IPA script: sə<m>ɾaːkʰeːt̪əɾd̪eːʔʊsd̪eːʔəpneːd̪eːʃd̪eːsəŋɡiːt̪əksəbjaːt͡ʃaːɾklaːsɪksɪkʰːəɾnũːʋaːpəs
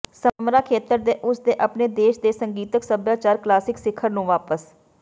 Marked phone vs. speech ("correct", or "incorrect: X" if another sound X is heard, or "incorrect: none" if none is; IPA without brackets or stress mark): correct